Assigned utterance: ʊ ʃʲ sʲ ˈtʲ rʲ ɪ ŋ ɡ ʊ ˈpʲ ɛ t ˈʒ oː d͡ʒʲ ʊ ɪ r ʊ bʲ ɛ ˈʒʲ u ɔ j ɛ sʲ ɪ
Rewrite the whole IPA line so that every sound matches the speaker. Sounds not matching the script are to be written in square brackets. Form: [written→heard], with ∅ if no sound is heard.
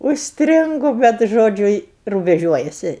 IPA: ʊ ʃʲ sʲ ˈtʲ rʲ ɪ ŋ ɡ ʊ [ˈpʲ→ˈbʲ] ɛ t ˈʒ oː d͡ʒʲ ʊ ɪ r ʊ bʲ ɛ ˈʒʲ u ɔ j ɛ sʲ ɪ